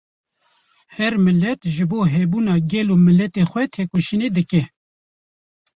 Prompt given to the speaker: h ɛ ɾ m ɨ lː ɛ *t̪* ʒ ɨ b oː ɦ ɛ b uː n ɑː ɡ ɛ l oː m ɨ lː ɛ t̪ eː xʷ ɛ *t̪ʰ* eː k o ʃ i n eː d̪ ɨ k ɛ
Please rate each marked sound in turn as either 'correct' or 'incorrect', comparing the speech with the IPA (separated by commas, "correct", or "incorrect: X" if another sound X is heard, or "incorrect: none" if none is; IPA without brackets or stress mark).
correct, correct